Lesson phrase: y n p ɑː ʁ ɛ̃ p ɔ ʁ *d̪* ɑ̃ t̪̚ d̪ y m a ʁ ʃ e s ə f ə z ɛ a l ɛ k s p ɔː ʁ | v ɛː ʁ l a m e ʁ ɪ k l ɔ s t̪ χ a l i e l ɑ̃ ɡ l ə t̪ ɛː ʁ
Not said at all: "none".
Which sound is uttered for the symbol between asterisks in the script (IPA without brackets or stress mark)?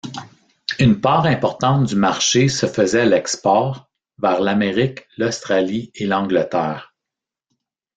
t̪